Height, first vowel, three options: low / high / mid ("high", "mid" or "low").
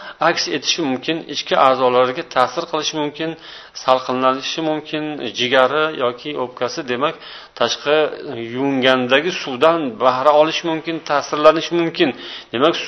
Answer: low